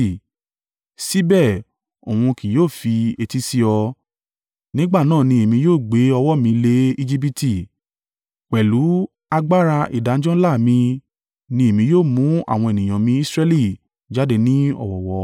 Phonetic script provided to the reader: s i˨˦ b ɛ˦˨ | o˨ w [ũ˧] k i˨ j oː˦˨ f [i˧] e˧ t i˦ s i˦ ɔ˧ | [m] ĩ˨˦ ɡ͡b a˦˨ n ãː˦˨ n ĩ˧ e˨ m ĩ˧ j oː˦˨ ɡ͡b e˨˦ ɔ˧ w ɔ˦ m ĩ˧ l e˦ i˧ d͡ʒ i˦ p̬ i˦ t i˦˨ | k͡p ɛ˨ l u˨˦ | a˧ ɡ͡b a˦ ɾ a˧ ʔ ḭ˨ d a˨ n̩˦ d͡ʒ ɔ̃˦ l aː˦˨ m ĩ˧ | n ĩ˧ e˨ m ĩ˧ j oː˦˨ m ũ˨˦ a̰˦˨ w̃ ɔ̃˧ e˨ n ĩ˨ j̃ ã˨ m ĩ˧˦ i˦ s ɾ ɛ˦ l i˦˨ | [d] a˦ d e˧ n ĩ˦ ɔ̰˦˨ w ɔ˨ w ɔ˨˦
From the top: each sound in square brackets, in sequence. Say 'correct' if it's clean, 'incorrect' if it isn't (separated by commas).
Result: correct, correct, incorrect, incorrect